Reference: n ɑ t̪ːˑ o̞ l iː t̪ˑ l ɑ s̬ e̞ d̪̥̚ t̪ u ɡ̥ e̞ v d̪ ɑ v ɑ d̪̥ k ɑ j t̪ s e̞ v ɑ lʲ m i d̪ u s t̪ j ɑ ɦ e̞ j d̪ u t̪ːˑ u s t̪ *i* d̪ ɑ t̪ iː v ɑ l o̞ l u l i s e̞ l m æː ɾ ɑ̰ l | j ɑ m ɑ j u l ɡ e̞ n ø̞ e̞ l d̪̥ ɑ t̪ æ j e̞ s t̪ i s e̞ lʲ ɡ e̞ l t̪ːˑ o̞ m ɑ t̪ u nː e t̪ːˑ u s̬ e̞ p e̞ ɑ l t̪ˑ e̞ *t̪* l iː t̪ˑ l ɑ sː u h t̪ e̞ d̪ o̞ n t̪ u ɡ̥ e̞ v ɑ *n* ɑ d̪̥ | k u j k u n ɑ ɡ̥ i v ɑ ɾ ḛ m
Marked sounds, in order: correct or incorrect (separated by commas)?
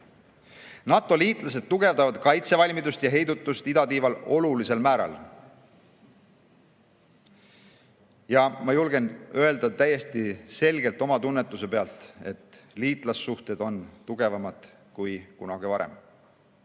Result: correct, correct, incorrect